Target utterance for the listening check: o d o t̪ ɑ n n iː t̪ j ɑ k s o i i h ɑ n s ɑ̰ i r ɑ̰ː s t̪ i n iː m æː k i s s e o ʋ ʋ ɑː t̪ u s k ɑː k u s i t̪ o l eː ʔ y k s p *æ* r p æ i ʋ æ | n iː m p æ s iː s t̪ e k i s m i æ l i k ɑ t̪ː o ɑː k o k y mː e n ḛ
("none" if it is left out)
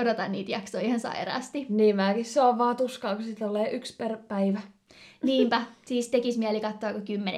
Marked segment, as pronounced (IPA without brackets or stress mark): e